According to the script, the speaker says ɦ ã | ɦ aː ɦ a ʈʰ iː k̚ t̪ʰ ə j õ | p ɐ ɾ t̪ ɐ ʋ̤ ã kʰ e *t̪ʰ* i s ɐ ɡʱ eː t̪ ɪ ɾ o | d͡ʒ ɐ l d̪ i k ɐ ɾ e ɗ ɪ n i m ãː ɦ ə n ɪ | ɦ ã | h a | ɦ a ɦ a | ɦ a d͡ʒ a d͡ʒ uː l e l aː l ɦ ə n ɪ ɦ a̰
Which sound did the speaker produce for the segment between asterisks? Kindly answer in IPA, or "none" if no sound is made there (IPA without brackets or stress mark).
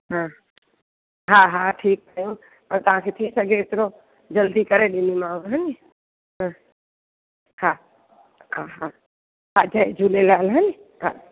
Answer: t̪ʰ